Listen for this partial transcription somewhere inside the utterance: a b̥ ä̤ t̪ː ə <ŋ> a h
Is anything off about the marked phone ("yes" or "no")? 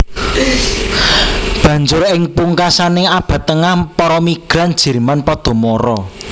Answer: no